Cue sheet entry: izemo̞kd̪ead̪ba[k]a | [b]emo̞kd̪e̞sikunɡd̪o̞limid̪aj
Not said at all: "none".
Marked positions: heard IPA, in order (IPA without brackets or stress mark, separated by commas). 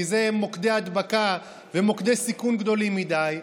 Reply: k, v